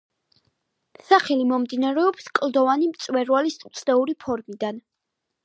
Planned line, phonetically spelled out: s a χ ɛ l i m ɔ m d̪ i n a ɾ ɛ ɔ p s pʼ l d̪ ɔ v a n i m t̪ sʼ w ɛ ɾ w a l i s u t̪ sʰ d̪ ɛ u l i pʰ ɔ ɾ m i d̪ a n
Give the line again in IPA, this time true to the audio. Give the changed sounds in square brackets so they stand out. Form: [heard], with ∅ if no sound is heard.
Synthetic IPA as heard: s a χ ɛ l i m ɔ m d̪ i n a ɾ ɛ ɔ p s [kʼ] l d̪ ɔ v a n i m t̪ sʼ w ɛ ɾ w a l i s u t̪ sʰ d̪ ɛ u [ɾ] i pʰ ɔ ɾ m i d̪ a n